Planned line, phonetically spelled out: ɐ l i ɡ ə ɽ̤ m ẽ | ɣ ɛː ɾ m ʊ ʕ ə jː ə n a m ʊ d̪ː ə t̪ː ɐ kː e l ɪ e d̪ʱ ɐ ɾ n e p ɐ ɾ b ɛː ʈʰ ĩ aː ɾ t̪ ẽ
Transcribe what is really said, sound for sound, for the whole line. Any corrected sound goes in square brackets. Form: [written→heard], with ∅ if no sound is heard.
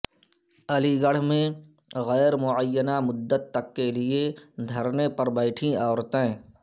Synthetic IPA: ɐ l i ɡ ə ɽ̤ m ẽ | ɣ ɛː ɾ m ʊ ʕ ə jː ə n a m ʊ d̪ː ə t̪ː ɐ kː e l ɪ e d̪ʱ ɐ ɾ n e p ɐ ɾ b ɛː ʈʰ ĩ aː ɾ t̪ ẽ